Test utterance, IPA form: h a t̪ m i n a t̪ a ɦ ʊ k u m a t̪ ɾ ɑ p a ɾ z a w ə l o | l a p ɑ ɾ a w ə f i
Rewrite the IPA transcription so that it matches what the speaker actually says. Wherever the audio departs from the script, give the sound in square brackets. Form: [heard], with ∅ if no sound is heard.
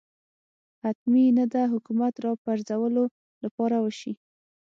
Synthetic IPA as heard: h a t̪ m i n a [d̪] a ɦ ʊ k u m a t̪ ɾ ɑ p a ɾ z a w ə l o | l a p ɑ ɾ a w ə [ʃ] i